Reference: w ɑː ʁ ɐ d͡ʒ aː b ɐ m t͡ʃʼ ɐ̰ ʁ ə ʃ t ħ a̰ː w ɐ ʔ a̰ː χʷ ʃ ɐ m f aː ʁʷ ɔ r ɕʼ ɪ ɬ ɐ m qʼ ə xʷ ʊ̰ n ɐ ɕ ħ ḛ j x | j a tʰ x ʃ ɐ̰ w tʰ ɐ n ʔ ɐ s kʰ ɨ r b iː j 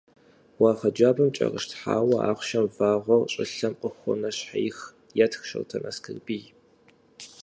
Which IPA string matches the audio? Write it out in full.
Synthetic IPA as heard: w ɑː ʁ ɐ d͡ʒ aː b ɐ m t͡ʃʼ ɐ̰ ʁ ə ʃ t ħ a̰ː w ɐ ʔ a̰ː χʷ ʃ ɐ m v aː ʁʷ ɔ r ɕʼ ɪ ɬ ɐ m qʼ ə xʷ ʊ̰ n ɐ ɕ ħ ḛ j x | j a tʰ x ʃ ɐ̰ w tʰ ɐ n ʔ ɐ s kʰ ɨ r b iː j